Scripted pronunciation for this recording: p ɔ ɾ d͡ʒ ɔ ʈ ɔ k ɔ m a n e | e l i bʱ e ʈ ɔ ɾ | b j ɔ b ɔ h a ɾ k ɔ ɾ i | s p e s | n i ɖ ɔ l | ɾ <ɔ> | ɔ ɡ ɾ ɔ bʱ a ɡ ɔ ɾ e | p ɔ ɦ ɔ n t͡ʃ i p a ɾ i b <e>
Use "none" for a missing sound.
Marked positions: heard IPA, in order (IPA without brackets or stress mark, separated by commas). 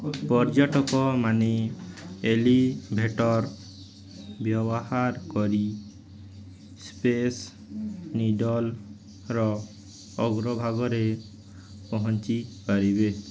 ɔ, e